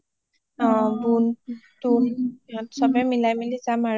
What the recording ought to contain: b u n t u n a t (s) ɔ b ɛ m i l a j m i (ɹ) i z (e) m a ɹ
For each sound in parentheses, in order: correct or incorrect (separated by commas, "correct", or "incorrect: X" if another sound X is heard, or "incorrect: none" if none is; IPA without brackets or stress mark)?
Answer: correct, incorrect: l, incorrect: a